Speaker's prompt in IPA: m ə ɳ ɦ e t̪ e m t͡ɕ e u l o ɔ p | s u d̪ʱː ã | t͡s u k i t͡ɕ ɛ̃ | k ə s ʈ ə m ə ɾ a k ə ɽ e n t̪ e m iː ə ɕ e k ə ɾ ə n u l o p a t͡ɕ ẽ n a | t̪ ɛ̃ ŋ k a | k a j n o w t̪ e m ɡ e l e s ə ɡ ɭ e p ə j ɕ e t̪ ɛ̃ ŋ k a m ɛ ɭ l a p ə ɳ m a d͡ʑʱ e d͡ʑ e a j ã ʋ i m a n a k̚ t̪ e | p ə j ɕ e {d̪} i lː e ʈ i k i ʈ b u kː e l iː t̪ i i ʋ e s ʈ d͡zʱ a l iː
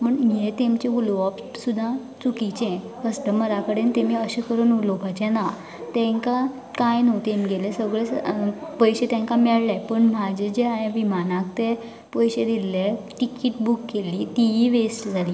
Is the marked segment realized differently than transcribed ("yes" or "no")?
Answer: no